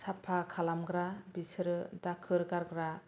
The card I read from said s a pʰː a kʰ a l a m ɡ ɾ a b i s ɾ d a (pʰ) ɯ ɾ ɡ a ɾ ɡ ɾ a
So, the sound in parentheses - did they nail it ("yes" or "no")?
no